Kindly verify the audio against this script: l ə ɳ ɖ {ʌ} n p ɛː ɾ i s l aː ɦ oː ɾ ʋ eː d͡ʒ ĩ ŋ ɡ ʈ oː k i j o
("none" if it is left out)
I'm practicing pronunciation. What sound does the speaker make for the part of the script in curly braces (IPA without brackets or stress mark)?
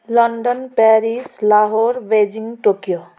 ə